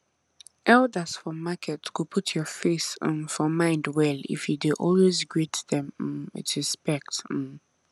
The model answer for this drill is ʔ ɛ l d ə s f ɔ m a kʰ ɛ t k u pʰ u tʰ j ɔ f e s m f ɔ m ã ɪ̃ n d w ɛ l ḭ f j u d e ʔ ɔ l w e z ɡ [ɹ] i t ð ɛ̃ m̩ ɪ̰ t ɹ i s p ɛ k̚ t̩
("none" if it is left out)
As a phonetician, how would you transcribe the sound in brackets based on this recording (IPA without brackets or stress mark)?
ɹ